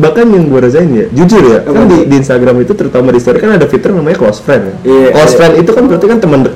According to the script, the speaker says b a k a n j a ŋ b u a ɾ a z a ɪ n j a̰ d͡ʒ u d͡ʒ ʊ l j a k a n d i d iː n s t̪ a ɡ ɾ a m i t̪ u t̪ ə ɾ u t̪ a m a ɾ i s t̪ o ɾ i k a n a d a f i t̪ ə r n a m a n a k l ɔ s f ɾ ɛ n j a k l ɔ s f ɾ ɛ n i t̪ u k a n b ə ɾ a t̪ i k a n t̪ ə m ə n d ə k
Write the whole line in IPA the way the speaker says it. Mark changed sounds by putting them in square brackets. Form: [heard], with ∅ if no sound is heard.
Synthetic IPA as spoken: b a k a n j a ŋ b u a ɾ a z a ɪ n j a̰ d͡ʒ u d͡ʒ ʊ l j a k a n d i d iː n s t̪ a ɡ ɾ a m i t̪ u t̪ ə ɾ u t̪ a m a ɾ i s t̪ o ɾ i k a n a d a f i t̪ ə r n a m a [ɲ] a k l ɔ s f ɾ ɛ n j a k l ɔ s f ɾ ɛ n i t̪ u k a n b ə ɾ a t̪ i k a n t̪ ə m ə n d ə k